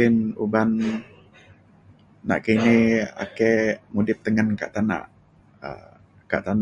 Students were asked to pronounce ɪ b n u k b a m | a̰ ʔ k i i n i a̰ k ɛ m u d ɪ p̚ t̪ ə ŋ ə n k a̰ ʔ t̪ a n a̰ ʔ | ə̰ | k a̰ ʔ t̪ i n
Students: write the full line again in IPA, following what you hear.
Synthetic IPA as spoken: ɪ n u b a n | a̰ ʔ k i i n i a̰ k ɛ m u d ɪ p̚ t̪ ə ŋ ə n k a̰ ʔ t̪ a n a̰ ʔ | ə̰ | k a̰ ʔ t̪ a n